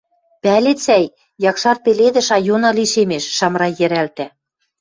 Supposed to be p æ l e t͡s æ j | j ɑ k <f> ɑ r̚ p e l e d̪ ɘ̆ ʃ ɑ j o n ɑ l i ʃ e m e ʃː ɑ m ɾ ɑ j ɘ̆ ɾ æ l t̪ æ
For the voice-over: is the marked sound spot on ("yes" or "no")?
no